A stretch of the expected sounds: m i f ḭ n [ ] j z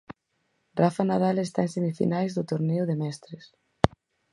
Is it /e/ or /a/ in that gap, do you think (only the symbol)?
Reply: a